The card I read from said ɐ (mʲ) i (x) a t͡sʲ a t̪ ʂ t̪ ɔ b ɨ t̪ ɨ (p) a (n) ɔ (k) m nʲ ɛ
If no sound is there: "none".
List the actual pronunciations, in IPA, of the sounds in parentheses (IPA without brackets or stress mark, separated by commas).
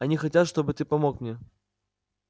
nʲ, x, p, m, k